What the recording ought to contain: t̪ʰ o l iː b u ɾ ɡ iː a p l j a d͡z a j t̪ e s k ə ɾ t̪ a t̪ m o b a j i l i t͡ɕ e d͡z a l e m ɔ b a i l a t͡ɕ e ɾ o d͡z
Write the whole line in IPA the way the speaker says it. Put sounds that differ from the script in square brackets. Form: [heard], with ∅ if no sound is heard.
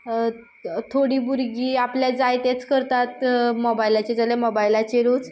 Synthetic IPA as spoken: t̪ʰ o [ɽ] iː b u ɾ ɡ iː a p l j a d͡z a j t̪ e [t͡s] k ə ɾ t̪ a t̪ m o b a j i l [a] t͡ɕ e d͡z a l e m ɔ b a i l a t͡ɕ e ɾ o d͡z